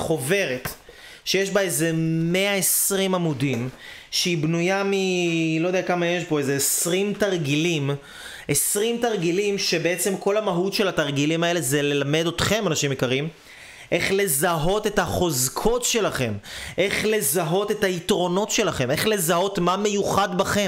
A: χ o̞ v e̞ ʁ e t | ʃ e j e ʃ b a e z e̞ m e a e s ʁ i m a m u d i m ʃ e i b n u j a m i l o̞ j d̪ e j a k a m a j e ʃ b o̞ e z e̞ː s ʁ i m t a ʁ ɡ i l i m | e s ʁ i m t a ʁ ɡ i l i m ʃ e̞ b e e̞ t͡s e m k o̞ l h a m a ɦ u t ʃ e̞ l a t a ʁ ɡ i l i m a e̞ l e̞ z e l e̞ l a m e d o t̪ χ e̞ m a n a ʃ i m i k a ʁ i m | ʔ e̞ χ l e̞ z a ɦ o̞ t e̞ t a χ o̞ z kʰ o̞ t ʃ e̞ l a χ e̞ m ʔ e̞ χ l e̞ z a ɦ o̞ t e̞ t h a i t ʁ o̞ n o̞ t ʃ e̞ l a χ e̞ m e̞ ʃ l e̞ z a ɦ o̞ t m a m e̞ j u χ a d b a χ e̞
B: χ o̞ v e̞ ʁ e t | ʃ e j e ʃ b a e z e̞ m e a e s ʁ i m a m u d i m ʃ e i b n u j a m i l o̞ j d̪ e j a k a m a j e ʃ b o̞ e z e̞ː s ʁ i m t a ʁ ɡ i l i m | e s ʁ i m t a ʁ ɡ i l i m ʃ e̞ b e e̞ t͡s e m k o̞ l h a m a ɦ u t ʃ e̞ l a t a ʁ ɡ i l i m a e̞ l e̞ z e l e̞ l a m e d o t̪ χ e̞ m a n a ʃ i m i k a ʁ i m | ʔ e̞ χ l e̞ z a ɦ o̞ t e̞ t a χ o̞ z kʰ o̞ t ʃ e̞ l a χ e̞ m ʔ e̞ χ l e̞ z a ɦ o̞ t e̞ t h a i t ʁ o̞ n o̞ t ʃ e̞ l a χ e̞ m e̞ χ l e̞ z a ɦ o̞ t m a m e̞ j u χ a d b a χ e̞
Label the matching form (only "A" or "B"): B